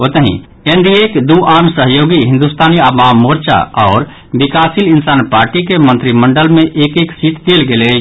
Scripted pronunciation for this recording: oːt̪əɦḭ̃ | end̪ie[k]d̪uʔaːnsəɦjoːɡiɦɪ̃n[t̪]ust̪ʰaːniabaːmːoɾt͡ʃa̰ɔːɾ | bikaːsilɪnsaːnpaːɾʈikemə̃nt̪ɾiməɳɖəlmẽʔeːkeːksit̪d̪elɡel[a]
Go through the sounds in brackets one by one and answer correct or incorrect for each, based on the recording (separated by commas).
correct, incorrect, incorrect